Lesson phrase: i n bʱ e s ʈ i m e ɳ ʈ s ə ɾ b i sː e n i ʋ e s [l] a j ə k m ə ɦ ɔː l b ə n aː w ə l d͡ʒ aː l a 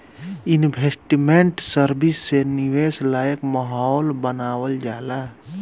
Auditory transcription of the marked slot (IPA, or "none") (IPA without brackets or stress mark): l